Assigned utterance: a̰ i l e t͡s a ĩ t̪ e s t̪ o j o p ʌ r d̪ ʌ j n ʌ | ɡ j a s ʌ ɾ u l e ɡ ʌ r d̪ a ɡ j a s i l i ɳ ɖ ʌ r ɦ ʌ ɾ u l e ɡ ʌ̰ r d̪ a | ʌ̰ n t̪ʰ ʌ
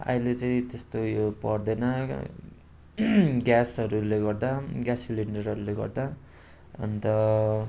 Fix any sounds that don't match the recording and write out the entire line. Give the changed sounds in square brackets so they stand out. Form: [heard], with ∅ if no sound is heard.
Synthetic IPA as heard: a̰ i l e t͡s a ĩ t̪ e s t̪ o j o p ʌ r d̪ ʌ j n ʌ | ɡ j a s ʌ ɾ u l e ɡ ʌ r d̪ a ɡ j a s i l i ɳ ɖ ʌ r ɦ ʌ ɾ u l e ɡ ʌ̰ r d̪ a | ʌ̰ n [t̪] ʌ